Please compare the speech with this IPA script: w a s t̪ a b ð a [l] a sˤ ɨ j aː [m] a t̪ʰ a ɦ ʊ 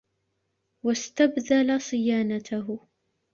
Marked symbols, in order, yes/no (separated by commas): yes, no